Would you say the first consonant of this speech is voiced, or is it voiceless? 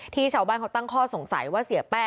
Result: voiceless